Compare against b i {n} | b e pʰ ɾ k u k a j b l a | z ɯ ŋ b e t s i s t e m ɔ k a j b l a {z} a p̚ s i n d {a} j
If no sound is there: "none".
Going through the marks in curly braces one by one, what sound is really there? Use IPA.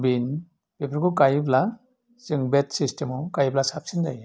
n, s, a

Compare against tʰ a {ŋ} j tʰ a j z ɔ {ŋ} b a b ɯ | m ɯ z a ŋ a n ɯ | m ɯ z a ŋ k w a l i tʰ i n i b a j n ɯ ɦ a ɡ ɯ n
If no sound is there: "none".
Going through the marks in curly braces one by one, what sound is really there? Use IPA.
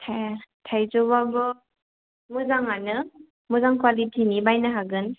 none, none

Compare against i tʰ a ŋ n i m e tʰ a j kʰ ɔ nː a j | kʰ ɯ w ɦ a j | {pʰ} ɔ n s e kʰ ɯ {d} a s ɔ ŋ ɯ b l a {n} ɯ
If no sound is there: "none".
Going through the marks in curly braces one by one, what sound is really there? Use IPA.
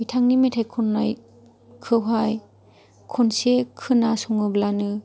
kʰ, n, n

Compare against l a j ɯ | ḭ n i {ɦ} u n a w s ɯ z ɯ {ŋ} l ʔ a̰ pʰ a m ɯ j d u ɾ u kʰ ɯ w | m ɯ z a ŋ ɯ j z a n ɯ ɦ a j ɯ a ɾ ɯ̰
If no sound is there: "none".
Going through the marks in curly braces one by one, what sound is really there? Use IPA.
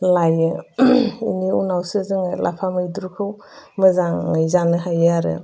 none, ŋ

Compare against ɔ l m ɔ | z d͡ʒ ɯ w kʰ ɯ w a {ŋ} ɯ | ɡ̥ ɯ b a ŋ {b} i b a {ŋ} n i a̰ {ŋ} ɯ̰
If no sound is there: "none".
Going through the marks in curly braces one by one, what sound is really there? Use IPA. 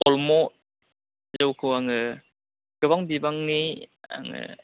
ŋ, b, ŋ, ŋ

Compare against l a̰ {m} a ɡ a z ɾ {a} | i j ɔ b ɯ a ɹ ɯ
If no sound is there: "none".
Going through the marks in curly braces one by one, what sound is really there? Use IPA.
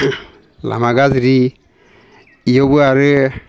m, i

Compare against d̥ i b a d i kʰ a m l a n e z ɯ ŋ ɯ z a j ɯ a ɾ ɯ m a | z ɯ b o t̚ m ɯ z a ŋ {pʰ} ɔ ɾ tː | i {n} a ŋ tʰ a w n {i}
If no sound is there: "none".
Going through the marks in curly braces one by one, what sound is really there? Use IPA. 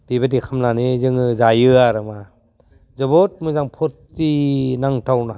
pʰ, n, a

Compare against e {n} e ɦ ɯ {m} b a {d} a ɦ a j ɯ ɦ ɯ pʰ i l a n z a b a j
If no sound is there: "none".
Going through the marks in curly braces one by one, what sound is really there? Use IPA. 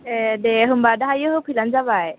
d, m, d

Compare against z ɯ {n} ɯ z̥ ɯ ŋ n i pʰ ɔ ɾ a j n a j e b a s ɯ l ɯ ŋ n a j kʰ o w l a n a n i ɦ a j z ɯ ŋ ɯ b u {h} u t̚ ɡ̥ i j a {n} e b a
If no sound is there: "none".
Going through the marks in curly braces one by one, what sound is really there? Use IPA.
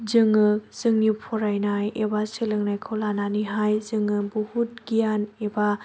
ŋ, h, n

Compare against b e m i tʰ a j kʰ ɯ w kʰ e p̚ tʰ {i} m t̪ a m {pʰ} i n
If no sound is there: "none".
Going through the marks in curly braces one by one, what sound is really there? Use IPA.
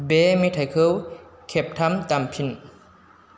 a, pʰ

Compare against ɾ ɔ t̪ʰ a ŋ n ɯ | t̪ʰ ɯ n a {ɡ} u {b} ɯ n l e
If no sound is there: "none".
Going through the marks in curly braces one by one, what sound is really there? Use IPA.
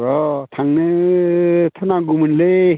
ɡ, m

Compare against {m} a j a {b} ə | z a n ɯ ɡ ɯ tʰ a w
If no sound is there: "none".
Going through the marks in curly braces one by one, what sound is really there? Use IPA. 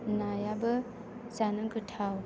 n, b

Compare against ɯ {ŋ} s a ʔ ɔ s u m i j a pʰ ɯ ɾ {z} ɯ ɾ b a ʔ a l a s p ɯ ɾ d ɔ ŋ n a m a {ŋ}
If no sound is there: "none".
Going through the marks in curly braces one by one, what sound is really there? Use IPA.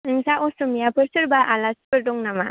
ŋ, s, none

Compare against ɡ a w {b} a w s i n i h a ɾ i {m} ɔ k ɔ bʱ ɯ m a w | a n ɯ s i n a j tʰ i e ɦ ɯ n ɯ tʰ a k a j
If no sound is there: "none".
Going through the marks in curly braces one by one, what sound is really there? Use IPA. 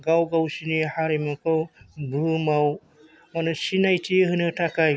ɡ, m

